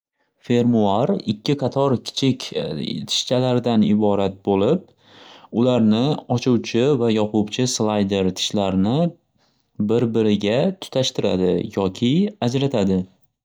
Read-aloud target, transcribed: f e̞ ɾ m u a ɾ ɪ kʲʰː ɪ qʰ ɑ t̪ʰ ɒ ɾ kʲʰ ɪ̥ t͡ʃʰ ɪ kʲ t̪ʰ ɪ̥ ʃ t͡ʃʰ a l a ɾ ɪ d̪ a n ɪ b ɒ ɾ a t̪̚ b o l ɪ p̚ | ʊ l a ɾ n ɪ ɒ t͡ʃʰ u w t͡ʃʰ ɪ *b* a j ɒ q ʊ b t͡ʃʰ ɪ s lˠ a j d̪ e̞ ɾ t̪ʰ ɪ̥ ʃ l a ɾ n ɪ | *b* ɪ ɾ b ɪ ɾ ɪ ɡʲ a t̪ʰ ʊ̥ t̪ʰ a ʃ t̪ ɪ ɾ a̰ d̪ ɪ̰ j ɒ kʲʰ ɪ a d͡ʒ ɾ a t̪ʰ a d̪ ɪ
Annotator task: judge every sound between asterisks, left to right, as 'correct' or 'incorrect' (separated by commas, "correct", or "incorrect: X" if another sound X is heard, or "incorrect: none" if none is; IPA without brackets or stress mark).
incorrect: v, correct